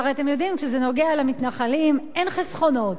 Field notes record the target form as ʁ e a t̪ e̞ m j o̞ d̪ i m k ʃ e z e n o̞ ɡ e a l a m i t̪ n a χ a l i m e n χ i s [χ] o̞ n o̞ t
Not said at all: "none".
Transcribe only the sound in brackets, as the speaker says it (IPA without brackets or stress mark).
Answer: χ